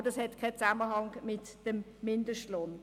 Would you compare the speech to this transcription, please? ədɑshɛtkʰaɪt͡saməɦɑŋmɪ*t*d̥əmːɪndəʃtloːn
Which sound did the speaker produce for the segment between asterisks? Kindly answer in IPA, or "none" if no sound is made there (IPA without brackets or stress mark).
t